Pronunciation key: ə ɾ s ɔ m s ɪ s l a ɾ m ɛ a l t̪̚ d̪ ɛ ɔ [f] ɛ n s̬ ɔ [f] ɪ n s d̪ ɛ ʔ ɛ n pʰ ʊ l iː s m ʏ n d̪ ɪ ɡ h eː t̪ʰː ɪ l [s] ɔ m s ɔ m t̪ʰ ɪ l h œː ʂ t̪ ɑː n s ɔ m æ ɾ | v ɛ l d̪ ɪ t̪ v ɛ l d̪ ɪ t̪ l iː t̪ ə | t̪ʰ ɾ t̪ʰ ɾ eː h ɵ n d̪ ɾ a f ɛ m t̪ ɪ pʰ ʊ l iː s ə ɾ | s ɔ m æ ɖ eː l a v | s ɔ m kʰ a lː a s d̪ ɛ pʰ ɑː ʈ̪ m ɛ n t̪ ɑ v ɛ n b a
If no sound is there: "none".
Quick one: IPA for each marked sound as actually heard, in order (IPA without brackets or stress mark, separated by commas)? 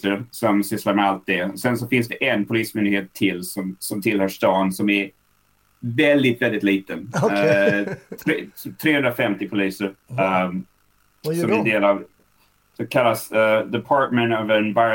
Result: s, f, s